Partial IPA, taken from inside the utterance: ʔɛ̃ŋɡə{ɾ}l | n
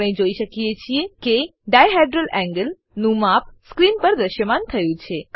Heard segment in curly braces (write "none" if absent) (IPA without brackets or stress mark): none